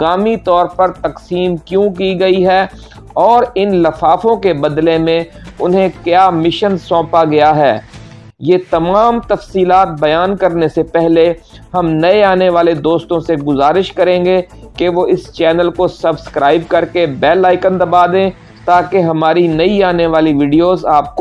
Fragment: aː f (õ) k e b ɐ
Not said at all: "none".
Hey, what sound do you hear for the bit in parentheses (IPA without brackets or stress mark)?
õ